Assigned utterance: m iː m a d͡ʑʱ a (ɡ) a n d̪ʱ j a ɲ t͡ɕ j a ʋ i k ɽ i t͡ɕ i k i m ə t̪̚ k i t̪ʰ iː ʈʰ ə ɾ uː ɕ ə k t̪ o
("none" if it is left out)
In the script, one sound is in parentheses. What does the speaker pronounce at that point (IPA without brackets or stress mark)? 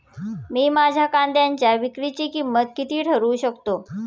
k